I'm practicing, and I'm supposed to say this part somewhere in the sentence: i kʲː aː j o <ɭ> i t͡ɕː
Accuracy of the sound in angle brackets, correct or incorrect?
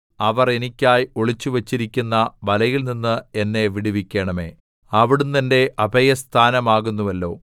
correct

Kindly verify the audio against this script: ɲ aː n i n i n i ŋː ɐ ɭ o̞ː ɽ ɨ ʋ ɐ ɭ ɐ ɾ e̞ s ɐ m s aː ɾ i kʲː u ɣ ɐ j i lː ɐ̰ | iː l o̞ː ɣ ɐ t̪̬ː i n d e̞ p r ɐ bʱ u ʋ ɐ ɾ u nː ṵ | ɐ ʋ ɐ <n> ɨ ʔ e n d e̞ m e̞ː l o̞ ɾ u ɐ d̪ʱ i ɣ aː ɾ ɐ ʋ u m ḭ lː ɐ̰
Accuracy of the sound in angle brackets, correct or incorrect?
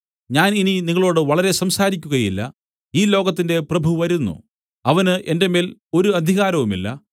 correct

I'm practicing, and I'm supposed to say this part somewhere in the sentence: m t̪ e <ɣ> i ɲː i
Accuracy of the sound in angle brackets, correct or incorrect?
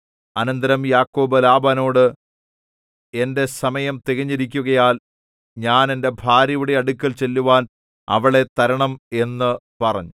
correct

